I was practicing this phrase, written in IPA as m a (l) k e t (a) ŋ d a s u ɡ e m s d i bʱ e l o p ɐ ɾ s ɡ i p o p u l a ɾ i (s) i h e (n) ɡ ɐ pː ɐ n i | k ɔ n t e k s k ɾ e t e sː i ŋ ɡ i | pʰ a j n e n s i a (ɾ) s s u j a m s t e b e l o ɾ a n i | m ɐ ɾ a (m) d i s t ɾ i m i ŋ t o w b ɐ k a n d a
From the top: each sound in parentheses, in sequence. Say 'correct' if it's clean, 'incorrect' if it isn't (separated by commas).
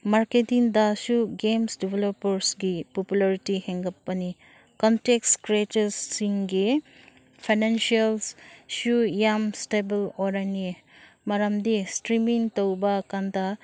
incorrect, incorrect, incorrect, incorrect, incorrect, correct